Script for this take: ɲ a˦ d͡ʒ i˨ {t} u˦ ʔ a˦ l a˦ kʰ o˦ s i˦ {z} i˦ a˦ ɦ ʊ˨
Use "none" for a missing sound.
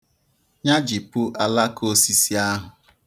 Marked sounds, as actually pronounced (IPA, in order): p, s

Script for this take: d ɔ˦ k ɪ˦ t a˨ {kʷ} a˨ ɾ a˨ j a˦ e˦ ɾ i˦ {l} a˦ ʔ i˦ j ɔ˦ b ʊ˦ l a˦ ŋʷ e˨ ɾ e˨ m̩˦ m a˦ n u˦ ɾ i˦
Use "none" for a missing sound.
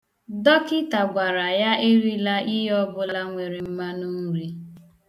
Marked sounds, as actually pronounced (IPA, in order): ɡʷ, l

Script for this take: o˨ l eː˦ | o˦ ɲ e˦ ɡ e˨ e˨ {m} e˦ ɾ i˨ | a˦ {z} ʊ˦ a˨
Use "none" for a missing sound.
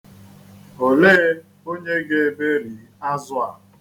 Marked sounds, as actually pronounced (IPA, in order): b, z

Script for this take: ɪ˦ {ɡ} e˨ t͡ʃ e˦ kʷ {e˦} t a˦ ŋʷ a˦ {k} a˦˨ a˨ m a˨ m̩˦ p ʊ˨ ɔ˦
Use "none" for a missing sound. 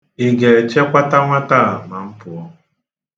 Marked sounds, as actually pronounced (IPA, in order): ɡ, a˦, t

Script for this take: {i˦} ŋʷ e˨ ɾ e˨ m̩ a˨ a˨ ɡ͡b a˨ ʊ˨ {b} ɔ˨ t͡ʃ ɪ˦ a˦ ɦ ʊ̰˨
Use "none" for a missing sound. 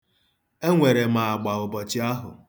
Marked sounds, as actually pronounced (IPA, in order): e˦, b

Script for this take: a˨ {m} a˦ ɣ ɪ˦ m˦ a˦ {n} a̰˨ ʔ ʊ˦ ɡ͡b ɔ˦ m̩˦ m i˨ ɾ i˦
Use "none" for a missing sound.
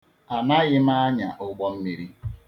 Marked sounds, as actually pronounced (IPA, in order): n, ɲ

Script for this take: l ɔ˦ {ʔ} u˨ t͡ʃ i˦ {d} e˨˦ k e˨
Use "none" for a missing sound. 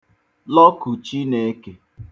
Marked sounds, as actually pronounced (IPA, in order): k, n

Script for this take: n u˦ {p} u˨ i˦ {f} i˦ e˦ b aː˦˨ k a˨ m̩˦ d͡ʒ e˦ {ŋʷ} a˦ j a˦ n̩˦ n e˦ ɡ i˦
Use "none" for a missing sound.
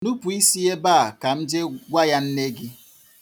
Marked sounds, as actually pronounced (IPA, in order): p, s, ɡʷ

